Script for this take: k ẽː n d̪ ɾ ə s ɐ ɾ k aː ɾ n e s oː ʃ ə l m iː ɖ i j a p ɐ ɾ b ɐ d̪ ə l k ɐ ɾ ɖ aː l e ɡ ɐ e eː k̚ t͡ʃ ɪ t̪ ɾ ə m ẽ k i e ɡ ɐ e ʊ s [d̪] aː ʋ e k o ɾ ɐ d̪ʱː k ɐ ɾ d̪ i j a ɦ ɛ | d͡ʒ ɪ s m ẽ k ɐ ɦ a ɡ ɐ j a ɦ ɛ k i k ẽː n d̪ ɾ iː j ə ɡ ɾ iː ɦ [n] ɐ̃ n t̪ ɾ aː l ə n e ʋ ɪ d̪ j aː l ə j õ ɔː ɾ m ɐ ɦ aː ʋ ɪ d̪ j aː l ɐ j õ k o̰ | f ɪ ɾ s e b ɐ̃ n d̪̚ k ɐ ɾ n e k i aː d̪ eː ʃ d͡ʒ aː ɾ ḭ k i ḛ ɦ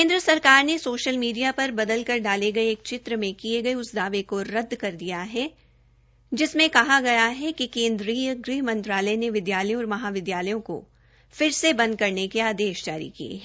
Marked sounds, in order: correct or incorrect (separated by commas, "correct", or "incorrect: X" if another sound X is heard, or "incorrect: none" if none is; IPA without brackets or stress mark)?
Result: correct, incorrect: m